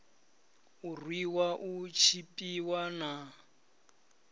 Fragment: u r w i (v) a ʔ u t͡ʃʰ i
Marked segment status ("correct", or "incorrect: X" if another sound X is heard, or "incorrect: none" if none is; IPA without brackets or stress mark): incorrect: w